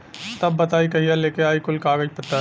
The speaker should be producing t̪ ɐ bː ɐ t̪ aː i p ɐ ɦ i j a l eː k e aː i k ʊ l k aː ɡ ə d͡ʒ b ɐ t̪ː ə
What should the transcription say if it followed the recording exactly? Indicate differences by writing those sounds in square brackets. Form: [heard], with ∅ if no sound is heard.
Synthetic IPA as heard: t̪ ɐ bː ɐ t̪ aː i [k] ɐ ɦ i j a l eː k e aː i k ʊ l k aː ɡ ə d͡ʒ [p] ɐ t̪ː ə